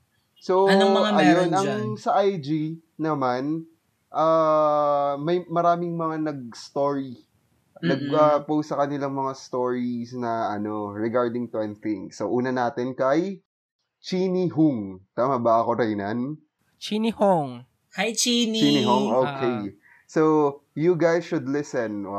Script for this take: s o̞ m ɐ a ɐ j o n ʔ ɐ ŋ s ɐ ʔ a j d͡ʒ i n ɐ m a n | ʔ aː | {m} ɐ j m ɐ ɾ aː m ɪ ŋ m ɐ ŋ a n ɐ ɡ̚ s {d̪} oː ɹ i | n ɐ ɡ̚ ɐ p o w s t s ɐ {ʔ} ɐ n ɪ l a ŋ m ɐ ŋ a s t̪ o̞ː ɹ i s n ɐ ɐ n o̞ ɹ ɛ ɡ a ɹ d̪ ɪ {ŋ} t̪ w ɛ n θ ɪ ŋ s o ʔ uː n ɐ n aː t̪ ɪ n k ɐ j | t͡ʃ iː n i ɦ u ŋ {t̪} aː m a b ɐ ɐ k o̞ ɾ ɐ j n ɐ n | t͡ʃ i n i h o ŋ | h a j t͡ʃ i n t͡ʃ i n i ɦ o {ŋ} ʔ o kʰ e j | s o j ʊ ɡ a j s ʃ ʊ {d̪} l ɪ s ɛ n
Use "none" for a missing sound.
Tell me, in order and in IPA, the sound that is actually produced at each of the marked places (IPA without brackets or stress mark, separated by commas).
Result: m, t̪, k, ŋ, t̪, ŋ, d̪